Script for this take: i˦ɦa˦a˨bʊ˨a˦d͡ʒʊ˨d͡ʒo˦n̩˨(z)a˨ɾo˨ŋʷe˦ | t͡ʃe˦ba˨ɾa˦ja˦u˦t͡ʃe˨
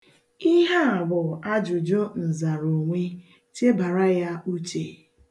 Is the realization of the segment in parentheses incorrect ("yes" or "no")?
no